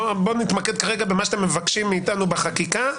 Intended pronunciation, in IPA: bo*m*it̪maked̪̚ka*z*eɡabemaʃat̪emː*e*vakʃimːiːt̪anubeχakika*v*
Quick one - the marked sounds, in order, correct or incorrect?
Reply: incorrect: n, incorrect: ʁ, correct, incorrect: none

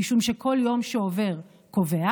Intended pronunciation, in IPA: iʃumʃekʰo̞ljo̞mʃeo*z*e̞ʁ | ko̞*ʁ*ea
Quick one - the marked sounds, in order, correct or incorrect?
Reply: incorrect: v, incorrect: v

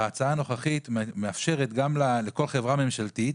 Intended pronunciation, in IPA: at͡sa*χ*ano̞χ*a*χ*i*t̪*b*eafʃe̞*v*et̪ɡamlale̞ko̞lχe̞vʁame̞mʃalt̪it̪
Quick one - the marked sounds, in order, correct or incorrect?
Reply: incorrect: none, correct, correct, incorrect: m, incorrect: ʁ

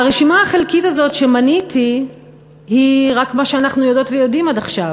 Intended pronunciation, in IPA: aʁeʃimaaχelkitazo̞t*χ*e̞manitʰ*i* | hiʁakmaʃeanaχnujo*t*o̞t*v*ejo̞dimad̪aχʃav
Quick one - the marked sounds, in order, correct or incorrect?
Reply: incorrect: ʃ, correct, incorrect: d, correct

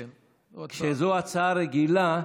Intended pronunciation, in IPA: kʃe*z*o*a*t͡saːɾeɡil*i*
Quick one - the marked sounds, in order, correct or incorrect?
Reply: correct, correct, incorrect: a

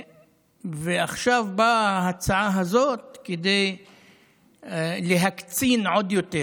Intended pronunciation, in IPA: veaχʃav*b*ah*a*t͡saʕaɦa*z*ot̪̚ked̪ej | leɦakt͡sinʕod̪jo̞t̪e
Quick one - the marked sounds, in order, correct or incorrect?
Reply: correct, correct, correct

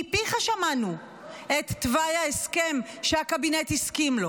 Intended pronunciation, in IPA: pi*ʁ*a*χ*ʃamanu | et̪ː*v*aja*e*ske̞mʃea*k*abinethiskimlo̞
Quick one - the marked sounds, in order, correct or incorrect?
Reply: incorrect: χ, incorrect: none, correct, correct, correct

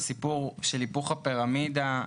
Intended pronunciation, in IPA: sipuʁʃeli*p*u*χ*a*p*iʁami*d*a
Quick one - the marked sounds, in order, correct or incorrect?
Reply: correct, correct, correct, correct

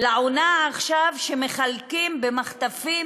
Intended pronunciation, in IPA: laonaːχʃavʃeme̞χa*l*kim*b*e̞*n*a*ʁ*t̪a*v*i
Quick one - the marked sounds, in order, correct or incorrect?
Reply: correct, correct, incorrect: m, incorrect: χ, incorrect: f

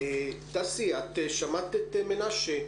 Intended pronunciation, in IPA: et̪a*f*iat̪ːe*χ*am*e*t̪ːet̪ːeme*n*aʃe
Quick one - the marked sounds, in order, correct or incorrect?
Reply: incorrect: s, incorrect: ʃ, incorrect: a, correct

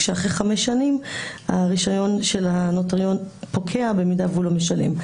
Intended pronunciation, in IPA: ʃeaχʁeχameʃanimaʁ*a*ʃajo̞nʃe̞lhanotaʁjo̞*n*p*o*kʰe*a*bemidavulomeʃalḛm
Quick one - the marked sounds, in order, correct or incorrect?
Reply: incorrect: i, correct, correct, correct

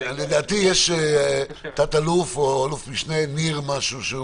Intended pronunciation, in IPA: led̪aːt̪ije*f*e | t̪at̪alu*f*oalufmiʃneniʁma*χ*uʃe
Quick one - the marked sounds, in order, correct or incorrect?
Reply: incorrect: ʃ, correct, incorrect: ʃ

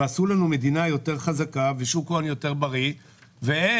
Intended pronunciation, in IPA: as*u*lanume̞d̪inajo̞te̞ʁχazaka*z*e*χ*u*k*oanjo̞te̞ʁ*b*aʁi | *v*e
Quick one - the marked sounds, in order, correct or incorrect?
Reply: correct, incorrect: v, incorrect: ʃ, correct, correct, correct

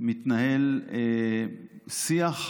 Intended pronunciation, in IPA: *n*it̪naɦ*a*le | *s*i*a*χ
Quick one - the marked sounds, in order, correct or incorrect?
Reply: incorrect: m, incorrect: e, correct, correct

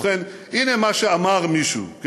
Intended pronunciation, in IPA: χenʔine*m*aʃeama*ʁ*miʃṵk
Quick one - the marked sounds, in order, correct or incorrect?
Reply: correct, correct

